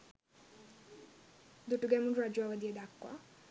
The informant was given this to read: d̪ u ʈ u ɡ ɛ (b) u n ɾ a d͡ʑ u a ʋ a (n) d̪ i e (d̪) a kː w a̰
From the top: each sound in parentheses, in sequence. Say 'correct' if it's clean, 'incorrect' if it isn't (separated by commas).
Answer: incorrect, incorrect, correct